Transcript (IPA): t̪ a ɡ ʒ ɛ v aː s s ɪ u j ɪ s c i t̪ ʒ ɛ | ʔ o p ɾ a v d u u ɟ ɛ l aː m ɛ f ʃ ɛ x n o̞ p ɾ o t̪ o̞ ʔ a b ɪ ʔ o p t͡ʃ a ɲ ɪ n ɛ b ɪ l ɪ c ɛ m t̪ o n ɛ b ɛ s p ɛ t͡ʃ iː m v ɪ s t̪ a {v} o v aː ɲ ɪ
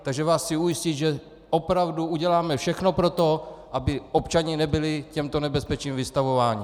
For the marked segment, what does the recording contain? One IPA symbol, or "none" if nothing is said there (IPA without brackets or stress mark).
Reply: v